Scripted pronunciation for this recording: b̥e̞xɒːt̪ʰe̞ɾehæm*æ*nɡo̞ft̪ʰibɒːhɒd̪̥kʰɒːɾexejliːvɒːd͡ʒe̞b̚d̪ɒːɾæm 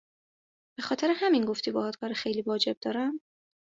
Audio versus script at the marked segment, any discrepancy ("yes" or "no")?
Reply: yes